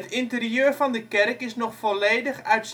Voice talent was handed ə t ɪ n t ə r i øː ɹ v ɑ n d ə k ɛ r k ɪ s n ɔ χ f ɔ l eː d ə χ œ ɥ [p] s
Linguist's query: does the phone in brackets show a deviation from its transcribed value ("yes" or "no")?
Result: yes